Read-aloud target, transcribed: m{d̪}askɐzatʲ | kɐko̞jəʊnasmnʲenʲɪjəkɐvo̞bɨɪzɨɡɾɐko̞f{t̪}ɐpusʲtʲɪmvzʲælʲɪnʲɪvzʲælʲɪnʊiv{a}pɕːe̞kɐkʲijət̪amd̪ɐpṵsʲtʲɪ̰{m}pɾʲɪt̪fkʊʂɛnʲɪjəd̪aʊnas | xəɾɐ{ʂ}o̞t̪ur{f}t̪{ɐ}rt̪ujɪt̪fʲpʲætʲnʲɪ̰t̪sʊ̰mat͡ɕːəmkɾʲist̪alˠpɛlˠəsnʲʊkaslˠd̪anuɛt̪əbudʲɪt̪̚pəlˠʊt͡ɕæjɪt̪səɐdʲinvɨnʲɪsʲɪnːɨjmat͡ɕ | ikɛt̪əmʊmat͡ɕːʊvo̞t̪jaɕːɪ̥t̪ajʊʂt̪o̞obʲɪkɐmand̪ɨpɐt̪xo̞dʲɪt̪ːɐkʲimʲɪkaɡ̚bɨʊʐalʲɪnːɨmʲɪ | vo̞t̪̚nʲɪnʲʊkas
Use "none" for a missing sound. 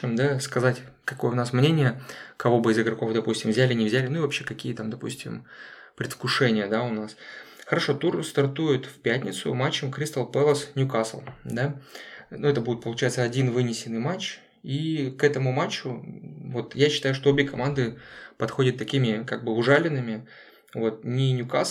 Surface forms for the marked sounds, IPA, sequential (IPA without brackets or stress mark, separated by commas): d̪, d̪, ɐ, m, ʂ, s, ɐ